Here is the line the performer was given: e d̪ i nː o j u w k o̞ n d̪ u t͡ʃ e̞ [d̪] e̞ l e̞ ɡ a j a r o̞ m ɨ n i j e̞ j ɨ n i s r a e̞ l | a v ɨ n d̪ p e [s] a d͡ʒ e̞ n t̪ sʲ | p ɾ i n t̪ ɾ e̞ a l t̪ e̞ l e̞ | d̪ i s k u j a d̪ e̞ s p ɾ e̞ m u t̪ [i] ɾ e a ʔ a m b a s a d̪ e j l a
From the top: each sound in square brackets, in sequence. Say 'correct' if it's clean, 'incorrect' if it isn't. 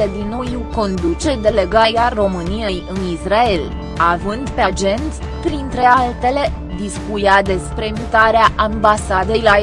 correct, incorrect: none, incorrect: a

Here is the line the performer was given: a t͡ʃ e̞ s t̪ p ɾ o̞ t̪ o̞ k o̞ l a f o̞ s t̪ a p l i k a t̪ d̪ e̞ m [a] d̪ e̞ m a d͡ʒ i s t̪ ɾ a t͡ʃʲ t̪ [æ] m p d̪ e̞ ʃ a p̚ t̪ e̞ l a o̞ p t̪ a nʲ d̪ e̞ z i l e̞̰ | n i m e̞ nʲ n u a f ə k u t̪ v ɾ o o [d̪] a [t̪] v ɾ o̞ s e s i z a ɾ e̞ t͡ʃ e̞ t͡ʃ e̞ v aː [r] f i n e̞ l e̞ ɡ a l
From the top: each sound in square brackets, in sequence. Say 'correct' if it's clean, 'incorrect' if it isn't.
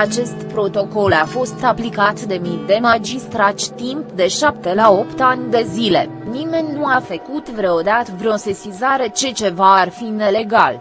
incorrect: i, incorrect: i, correct, correct, correct

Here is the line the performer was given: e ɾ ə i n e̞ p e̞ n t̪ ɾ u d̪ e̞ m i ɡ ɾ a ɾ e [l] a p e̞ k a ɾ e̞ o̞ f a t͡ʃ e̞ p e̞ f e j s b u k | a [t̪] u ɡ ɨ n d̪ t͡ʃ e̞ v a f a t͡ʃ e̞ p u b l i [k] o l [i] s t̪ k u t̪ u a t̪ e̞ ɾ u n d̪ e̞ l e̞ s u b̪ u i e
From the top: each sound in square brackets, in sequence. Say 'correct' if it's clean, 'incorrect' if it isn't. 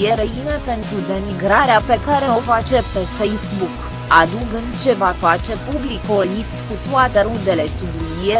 incorrect: none, incorrect: d̪, correct, correct

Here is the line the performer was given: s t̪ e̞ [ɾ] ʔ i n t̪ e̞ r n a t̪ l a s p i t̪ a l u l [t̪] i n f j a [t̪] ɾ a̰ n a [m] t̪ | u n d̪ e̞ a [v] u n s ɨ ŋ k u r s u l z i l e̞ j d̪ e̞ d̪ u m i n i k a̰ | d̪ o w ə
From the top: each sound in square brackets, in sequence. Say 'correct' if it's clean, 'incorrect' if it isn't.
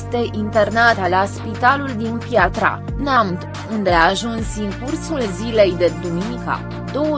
incorrect: none, incorrect: d̪, correct, correct, incorrect: ʒ

